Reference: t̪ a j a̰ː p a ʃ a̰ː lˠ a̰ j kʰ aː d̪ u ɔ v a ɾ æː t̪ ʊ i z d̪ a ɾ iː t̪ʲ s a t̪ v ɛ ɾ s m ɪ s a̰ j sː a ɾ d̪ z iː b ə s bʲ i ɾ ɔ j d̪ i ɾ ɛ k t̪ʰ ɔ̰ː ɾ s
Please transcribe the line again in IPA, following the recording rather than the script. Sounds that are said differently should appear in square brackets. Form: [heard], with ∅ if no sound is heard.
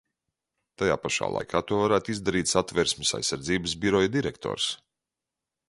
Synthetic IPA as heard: t̪ a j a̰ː p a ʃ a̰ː lˠ a̰ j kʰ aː [t̪] u ɔ v a ɾ æː t̪ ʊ i z d̪ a ɾ iː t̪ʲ s a t̪ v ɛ ɾ s m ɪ s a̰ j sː a ɾ d̪ z iː b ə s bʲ i ɾ ɔ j d̪ i ɾ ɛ k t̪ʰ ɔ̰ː ɾ s